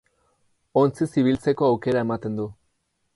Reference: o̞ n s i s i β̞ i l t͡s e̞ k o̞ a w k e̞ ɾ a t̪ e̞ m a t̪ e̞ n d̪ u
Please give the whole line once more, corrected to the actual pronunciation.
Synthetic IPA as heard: o̞ n t͡s i s i β̞ i l t͡s e̞ k o̞ a w k e̞ ɾ a e̞ m a t̪ e̞ n d̪ u